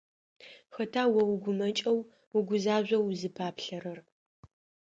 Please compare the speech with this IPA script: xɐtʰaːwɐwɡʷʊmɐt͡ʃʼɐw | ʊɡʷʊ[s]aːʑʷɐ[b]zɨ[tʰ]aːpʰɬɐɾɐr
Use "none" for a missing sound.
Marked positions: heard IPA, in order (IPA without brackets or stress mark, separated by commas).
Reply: z, w, pʰ